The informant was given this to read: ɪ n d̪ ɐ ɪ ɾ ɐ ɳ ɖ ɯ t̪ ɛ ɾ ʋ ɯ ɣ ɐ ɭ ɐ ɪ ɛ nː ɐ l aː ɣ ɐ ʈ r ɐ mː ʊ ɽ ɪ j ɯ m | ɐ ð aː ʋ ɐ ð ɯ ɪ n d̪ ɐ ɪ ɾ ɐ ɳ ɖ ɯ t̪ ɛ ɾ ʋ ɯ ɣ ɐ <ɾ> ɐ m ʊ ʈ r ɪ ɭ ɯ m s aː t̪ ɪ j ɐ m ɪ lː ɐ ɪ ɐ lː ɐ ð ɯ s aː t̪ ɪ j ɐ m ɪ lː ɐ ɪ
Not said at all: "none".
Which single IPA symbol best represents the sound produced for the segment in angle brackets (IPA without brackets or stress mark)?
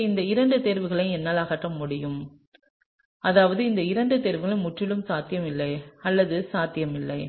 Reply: ɭ